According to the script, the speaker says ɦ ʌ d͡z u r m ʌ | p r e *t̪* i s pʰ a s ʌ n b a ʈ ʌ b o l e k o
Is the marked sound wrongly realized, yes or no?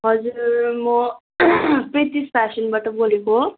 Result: no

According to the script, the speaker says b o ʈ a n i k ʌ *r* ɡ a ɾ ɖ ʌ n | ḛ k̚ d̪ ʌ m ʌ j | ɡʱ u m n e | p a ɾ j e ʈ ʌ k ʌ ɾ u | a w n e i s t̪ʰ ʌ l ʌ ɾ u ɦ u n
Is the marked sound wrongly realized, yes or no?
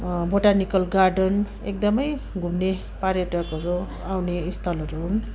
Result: yes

